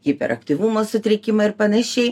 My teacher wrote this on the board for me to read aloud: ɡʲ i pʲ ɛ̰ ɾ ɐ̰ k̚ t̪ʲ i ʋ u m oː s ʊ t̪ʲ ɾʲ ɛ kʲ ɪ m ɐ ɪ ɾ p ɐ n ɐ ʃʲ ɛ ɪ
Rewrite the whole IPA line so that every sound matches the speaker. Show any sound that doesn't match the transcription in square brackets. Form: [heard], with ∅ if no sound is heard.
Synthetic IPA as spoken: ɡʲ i pʲ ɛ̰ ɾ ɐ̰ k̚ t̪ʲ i ʋ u m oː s ʊ t̪ʲ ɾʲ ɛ kʲ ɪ m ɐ ɪ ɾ p ɐ n ɐ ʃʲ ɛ ɪ